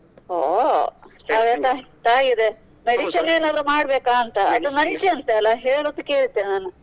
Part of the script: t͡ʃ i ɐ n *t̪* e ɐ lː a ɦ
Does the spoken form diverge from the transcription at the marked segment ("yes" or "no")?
no